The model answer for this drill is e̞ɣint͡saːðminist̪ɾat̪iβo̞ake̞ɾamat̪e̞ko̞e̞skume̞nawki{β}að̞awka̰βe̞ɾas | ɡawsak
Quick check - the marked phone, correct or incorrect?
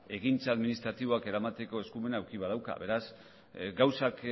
correct